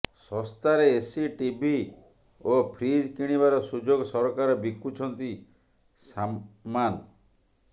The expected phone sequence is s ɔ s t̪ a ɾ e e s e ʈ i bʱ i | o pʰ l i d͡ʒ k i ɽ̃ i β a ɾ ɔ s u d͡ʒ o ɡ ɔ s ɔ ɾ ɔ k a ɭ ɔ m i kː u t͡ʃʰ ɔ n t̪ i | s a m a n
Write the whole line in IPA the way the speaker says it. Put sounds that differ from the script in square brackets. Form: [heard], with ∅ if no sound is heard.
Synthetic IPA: s ɔ s t̪ a ɾ e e s [i] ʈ i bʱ i | o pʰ [ɾ] i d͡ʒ k i ɽ̃ i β a ɾ ɔ s u d͡ʒ o ɡ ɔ s ɔ ɾ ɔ k a [ɾ] ɔ [b] i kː u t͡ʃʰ ɔ n t̪ i | s a m a n